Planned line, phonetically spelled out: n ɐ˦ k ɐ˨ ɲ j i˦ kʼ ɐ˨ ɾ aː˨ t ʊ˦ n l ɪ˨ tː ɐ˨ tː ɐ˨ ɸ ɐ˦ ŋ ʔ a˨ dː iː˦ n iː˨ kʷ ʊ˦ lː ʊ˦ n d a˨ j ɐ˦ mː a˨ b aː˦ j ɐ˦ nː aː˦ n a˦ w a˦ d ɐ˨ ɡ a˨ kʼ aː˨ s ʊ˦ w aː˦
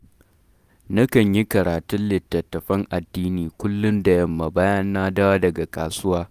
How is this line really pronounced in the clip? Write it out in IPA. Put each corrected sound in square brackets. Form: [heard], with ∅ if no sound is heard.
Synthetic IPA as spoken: n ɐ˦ k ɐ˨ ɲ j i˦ [k] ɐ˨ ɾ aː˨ t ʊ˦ n l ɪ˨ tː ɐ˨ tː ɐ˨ ɸ ɐ˦ ŋ ʔ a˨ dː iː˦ n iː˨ kʷ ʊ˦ lː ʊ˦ n d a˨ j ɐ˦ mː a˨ b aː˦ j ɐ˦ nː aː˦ [d] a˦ w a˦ d ɐ˨ ɡ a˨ kʼ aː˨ s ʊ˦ w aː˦